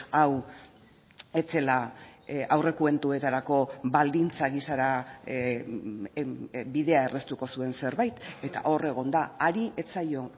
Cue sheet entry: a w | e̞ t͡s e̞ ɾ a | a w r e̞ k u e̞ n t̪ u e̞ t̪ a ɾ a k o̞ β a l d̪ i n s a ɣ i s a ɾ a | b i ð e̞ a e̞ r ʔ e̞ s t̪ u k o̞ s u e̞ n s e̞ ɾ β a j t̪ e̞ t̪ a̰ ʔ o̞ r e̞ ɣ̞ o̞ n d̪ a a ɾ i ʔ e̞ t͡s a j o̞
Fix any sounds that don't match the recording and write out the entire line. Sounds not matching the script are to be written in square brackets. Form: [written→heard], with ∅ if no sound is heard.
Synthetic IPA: a w | e̞ t͡s e̞ [ɾ→l] a | a w r e̞ k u e̞ n t̪ u e̞ t̪ a ɾ a k o̞ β a l d̪ i n [s→t͡s] a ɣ i s a ɾ a | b i ð e̞ a e̞ r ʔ e̞ s t̪ u k o̞ s u e̞ n s e̞ ɾ β a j t̪ e̞ t̪ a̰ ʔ o̞ r e̞ ɣ̞ o̞ n d̪ a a ɾ i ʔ e̞ t͡s a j o̞